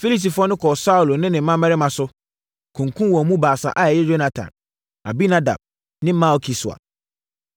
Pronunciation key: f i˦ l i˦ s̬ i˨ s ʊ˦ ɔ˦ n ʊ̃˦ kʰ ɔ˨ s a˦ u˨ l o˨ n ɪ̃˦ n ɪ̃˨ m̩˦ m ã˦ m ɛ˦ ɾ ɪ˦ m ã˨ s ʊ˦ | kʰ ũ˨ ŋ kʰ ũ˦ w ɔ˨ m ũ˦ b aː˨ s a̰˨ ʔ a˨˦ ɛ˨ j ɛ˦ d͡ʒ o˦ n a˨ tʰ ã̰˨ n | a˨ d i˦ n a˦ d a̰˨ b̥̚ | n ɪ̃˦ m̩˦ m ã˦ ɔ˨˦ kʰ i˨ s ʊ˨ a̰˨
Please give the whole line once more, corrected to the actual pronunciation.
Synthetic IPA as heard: f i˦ l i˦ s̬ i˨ f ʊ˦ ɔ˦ n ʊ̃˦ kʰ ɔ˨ s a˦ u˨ l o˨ n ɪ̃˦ n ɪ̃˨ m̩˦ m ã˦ m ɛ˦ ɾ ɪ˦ m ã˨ s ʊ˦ | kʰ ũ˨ ŋ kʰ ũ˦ w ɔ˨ m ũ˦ b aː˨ s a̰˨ ʔ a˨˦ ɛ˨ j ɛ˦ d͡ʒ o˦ n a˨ tʰ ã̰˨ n | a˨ b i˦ n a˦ d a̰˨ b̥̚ | n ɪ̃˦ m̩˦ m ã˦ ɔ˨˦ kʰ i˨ s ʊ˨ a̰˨